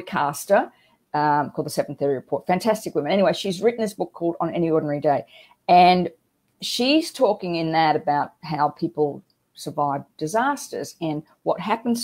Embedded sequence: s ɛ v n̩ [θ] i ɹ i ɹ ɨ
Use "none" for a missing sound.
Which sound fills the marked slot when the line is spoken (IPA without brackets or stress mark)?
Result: θ